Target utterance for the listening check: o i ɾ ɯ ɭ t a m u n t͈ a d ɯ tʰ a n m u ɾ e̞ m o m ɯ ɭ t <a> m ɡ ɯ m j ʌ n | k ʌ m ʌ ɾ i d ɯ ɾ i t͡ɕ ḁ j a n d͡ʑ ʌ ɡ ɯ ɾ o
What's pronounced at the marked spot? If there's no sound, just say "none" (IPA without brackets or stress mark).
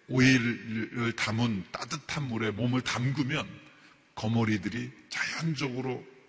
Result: a